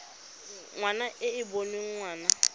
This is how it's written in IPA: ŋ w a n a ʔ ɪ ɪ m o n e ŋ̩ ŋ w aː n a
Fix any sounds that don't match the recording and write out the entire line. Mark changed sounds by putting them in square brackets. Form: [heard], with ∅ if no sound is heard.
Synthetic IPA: ŋ w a n a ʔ ɪ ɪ [b] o n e ŋ̩ ŋ w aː n a